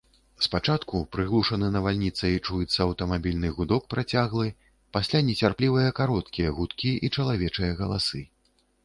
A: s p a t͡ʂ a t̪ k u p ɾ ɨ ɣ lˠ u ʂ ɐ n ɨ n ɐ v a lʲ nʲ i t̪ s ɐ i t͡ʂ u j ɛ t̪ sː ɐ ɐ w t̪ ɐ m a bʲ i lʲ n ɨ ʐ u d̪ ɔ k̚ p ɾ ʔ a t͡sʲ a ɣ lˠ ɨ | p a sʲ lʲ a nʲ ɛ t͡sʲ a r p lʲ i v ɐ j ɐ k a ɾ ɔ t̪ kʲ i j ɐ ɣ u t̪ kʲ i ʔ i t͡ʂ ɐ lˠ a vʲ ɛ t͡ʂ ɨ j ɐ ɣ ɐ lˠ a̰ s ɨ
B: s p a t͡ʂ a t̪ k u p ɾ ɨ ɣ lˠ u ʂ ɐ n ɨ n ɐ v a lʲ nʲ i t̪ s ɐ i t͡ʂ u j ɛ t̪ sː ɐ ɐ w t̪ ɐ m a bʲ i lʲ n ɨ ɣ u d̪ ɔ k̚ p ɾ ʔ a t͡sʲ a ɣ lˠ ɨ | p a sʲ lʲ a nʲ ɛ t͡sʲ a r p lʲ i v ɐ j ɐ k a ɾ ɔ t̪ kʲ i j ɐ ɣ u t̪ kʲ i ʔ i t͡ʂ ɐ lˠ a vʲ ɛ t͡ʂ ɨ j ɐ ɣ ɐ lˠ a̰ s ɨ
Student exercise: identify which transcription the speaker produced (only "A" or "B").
B